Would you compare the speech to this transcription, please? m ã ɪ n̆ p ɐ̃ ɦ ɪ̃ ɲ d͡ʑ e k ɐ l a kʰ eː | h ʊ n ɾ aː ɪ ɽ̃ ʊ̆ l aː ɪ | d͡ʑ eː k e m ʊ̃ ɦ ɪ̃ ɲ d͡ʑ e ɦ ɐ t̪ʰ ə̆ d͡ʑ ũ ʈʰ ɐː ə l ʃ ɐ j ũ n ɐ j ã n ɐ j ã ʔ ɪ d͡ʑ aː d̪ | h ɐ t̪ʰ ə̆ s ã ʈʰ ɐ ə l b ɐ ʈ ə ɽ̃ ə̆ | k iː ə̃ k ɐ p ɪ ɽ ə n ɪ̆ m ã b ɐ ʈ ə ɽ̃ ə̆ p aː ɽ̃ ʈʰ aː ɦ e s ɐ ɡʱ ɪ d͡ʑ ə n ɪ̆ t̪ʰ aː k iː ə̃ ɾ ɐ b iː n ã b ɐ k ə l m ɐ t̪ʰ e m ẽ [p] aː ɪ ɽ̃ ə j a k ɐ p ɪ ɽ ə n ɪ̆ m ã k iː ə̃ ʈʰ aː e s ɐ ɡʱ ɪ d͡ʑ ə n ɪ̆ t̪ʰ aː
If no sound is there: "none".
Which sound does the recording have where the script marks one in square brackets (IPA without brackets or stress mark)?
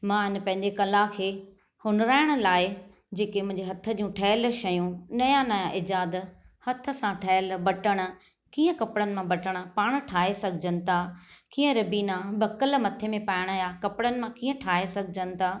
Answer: p